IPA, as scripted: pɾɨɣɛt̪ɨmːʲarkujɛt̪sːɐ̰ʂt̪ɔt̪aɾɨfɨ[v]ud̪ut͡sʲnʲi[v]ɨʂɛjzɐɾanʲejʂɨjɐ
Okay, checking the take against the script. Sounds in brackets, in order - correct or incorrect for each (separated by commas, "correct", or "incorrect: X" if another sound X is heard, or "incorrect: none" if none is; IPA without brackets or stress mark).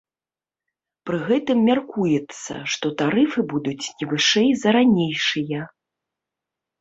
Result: incorrect: b, correct